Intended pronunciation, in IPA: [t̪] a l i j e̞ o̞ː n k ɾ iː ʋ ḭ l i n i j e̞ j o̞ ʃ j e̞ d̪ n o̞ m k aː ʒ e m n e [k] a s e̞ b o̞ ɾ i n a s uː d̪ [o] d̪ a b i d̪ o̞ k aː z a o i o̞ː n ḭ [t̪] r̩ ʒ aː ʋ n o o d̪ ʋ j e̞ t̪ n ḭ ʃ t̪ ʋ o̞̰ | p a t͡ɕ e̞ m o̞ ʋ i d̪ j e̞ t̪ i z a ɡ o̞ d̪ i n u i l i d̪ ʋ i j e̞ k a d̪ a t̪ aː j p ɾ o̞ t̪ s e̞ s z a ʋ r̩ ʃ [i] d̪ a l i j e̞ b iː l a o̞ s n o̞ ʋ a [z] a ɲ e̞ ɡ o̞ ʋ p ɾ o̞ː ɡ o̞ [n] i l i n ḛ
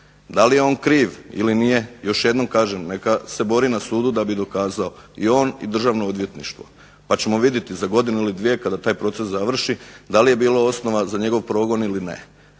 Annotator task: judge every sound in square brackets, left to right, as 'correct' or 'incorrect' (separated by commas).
incorrect, correct, incorrect, incorrect, correct, correct, correct